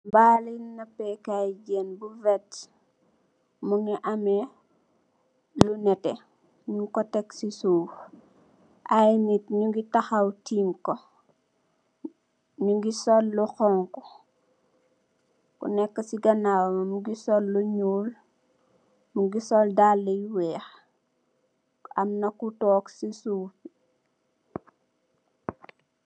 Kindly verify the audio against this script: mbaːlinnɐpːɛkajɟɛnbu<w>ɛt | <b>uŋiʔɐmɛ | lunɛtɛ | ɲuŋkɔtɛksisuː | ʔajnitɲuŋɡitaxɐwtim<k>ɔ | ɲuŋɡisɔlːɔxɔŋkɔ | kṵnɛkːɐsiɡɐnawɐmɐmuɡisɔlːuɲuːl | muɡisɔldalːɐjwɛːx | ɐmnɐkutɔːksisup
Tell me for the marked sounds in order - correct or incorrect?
incorrect: v, incorrect: m, correct

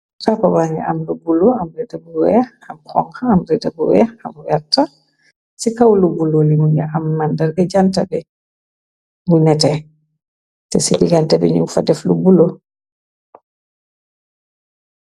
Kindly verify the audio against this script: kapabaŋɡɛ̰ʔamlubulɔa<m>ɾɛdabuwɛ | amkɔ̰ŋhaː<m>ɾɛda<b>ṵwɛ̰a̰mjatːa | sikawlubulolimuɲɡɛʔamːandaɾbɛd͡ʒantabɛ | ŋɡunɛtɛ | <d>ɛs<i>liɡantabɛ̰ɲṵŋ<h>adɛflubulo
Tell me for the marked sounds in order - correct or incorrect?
correct, correct, correct, incorrect: t, correct, incorrect: f

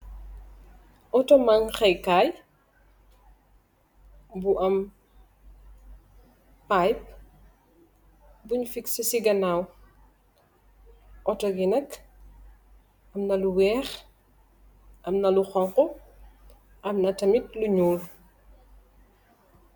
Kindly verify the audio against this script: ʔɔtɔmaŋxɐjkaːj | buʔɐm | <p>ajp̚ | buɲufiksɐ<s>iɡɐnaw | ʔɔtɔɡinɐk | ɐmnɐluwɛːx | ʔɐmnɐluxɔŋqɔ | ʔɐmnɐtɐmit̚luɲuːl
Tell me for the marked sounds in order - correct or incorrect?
correct, correct

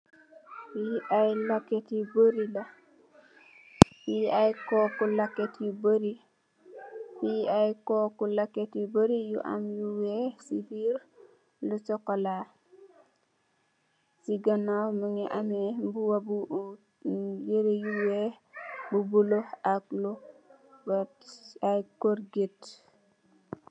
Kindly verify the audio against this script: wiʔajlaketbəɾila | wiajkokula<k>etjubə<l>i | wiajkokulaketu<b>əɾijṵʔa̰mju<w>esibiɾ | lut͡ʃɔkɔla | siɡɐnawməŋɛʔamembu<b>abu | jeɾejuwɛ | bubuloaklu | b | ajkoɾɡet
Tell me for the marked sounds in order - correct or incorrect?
correct, incorrect: ɾ, correct, correct, incorrect: w

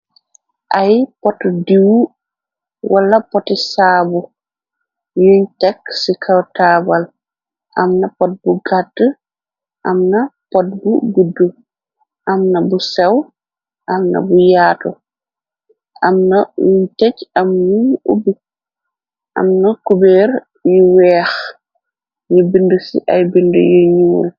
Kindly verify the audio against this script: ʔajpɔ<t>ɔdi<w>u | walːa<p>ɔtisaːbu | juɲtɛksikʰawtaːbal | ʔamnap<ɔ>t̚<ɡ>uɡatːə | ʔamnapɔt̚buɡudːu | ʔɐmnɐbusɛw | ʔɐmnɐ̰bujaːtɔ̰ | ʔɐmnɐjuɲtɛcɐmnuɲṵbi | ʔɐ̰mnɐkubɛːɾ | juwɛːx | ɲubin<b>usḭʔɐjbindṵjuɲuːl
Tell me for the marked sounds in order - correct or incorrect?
correct, correct, correct, correct, incorrect: b, incorrect: d

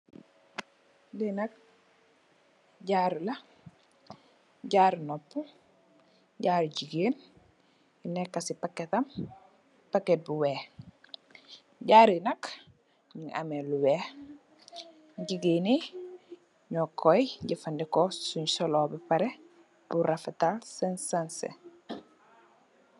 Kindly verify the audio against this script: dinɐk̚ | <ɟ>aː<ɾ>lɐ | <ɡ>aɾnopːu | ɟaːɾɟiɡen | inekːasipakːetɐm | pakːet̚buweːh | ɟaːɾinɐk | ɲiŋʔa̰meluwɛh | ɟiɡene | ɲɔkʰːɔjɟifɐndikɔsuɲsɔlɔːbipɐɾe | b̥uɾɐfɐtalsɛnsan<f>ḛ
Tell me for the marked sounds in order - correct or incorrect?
correct, correct, incorrect: ɟ, incorrect: s

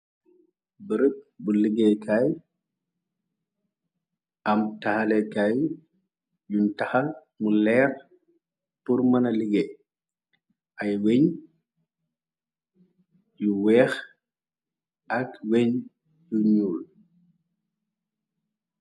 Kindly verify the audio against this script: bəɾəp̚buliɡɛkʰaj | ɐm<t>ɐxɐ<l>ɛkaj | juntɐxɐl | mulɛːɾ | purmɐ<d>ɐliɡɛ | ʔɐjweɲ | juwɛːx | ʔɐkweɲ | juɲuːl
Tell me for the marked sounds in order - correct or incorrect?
correct, correct, incorrect: n

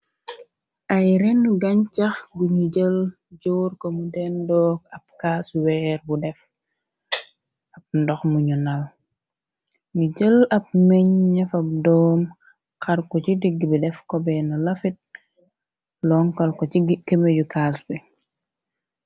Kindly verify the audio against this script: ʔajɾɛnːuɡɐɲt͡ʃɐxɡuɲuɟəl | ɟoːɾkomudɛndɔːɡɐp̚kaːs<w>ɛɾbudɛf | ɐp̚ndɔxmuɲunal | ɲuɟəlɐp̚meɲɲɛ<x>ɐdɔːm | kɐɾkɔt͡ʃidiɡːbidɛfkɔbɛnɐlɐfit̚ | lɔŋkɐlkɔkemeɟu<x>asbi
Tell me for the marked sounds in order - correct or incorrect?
correct, incorrect: f, incorrect: k

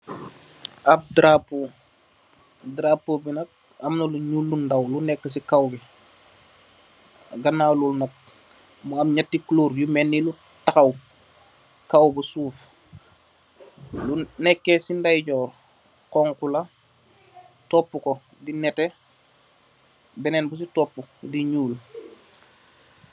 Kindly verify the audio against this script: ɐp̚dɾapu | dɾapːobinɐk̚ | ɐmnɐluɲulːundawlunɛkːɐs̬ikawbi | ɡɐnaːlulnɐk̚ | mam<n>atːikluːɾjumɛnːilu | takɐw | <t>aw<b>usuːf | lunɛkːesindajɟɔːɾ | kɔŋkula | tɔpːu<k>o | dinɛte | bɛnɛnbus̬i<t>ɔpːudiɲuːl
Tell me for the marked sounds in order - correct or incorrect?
incorrect: ɲ, incorrect: k, correct, correct, correct

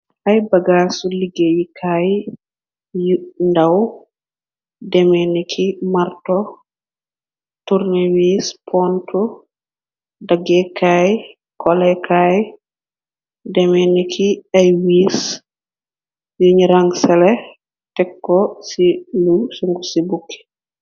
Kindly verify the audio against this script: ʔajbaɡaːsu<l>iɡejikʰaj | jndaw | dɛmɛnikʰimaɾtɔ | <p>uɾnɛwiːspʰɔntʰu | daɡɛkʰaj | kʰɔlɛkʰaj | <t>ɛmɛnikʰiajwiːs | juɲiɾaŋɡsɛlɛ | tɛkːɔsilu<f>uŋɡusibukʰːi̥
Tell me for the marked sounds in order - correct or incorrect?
correct, incorrect: t, incorrect: d, incorrect: s

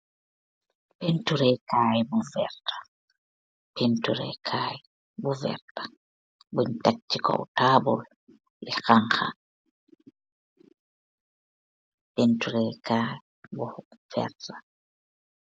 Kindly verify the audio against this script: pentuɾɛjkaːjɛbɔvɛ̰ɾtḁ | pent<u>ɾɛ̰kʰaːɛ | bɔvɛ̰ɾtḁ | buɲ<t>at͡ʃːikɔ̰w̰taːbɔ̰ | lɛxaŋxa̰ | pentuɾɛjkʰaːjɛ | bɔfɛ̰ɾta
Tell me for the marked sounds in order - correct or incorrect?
correct, correct

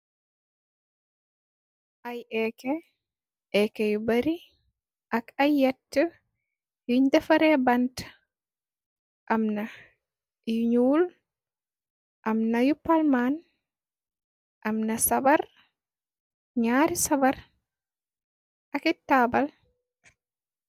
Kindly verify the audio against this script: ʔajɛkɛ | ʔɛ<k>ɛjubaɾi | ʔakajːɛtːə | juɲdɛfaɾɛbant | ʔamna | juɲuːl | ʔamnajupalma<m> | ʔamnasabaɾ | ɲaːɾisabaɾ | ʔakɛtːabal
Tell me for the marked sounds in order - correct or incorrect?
correct, incorrect: n

